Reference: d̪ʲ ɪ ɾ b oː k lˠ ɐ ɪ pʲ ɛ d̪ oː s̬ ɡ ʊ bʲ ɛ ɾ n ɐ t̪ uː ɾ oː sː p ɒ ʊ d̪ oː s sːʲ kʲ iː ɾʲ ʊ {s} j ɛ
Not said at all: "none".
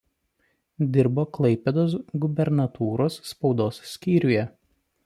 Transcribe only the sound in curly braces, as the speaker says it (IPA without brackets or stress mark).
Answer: none